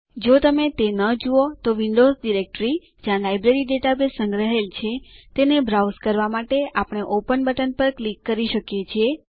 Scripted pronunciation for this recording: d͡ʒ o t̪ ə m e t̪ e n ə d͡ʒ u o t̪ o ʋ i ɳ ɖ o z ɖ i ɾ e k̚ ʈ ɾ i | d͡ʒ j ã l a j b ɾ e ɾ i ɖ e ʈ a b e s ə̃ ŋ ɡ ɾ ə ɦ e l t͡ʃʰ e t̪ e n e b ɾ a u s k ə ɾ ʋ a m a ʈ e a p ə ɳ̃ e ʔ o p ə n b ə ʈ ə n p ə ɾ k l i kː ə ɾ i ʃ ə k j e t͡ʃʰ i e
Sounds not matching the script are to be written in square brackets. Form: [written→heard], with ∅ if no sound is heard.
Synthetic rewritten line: d͡ʒ o t̪ ə m e t̪ e n ə d͡ʒ u o t̪ o ʋ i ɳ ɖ o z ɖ i ɾ e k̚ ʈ ɾ i | d͡ʒ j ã l a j b ɾ e ɾ i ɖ e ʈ a b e s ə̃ ŋ ɡ ɾ ə ɦ e l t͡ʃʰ e t̪ e n e b ɾ a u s k ə ɾ ʋ a m a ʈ e a p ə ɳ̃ e ʔ o p ə n b ə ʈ ə n p ə ɾ k l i kː ə ɾ i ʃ ə k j e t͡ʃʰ i e